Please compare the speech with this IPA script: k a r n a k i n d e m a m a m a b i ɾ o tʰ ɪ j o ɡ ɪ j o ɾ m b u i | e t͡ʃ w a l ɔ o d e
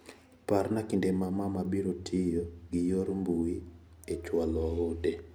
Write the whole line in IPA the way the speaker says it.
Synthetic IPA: p a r n a k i n d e m a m a m a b i ɾ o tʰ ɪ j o ɡ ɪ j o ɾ m b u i | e t͡ʃ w a l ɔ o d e